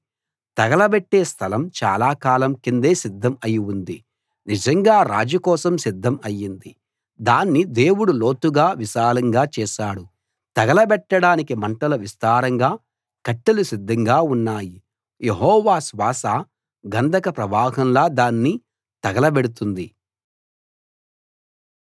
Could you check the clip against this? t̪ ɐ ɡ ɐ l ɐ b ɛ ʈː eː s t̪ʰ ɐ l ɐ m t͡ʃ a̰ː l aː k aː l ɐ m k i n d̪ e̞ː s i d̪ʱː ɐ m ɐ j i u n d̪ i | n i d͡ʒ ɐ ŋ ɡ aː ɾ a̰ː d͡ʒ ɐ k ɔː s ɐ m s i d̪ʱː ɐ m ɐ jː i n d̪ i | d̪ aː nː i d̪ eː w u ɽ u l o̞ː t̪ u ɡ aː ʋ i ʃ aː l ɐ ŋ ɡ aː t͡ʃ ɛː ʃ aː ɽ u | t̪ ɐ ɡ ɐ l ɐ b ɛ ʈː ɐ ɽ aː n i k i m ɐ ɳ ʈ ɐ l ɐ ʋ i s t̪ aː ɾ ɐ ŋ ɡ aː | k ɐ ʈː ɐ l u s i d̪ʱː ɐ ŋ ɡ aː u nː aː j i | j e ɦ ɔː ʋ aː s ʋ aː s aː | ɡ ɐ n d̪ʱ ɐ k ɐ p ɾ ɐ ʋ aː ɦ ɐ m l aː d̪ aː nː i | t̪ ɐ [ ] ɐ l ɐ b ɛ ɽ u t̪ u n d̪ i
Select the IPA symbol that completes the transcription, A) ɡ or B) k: A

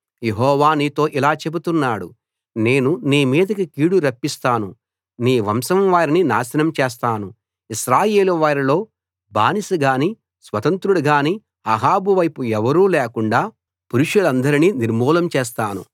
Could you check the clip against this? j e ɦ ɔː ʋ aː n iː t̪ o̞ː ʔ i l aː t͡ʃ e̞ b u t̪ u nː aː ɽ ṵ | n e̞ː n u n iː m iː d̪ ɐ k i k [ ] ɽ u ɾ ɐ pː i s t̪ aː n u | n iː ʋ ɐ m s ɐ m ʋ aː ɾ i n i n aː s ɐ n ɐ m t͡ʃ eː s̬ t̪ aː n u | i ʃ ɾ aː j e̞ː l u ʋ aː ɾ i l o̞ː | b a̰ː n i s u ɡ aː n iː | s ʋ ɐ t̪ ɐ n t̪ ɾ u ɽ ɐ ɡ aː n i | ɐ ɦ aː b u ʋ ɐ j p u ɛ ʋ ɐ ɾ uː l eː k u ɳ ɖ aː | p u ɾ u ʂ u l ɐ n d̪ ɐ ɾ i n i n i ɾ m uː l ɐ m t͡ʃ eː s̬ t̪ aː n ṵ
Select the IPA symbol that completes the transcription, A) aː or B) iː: B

